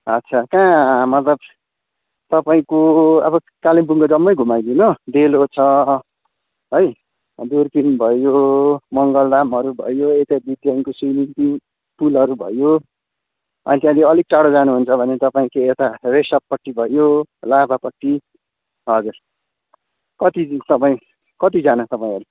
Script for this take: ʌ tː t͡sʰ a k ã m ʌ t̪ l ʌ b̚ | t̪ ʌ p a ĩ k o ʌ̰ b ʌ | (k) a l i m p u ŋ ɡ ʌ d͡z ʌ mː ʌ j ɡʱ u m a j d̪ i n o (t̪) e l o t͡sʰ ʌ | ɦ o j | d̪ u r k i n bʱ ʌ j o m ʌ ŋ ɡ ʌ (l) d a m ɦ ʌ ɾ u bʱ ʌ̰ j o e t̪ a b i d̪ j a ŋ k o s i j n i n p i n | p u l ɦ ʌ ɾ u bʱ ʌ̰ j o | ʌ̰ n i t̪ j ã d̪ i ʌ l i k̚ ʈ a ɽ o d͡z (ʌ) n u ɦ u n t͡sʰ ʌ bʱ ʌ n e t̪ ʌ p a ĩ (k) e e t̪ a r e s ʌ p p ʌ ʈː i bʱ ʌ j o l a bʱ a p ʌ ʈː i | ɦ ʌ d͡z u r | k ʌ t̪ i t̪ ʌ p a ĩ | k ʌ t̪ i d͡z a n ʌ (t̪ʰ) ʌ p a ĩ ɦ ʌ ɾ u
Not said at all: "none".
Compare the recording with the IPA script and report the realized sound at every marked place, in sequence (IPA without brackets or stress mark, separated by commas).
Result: k, d̪, l, a, k, t̪